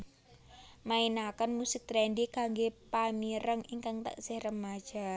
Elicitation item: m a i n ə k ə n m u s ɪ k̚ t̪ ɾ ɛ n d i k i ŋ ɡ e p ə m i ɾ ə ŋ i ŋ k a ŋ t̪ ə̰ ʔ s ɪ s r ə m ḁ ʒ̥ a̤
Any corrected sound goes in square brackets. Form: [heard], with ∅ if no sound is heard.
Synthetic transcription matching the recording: m a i n [a] k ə n m u s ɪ k̚ t̪ ɾ ɛ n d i k [a] ŋ ɡ e p [a] m i ɾ ə ŋ i ŋ k a ŋ t̪ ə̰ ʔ s ɪ [h] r ə m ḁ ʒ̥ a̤